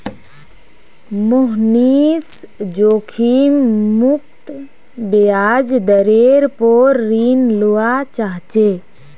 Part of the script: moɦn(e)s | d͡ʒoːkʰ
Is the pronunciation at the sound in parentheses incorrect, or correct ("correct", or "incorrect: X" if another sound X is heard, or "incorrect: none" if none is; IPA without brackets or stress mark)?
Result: incorrect: i